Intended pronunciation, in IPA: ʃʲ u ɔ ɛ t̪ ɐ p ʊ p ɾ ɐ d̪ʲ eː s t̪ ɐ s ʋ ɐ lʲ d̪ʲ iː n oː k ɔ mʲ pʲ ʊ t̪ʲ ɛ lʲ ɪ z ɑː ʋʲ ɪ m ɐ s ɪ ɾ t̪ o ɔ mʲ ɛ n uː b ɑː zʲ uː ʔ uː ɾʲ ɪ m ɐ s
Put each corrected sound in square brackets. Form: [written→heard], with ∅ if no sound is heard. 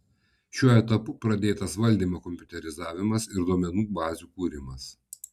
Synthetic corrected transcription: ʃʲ u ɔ ɛ t̪ ɐ p ʊ p ɾ ɐ d̪ʲ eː [s→∅] t̪ ɐ s ʋ ɐ lʲ d̪ʲ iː [n→m] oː k ɔ mʲ pʲ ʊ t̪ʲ ɛ [lʲ→ɾʲ] ɪ z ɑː ʋʲ ɪ m ɐ s ɪ ɾ [t̪→d̪] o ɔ mʲ ɛ n uː b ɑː zʲ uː [ʔ→k] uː ɾʲ ɪ m ɐ s